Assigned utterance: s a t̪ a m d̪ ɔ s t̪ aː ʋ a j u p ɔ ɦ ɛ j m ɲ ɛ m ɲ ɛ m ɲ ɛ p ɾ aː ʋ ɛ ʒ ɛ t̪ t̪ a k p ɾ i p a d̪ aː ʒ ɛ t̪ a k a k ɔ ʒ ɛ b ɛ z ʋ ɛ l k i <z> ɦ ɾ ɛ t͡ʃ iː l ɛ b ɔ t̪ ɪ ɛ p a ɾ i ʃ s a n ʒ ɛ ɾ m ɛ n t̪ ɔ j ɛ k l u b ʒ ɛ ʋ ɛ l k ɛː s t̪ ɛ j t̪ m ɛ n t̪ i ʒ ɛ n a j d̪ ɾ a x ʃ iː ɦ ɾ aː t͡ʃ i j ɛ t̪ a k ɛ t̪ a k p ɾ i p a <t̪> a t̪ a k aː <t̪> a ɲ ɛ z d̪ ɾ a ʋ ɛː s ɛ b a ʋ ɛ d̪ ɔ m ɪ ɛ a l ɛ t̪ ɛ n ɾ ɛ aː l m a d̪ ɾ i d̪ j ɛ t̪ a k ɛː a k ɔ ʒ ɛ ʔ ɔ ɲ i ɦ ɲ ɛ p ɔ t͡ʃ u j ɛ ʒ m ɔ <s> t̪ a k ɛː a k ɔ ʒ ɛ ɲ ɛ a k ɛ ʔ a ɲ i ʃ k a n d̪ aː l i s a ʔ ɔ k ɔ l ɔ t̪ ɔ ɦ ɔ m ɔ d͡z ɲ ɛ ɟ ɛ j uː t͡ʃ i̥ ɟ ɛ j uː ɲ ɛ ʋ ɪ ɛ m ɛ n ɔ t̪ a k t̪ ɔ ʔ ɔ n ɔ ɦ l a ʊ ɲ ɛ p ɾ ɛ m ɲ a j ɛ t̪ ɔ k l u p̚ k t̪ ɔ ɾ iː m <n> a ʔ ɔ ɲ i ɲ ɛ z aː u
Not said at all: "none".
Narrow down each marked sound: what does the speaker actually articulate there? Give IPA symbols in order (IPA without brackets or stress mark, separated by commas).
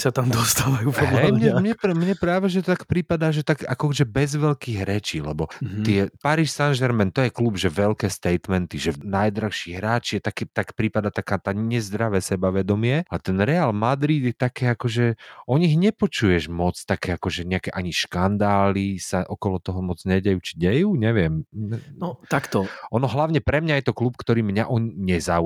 ɣ, d̪, t̪, t͡s, ɲ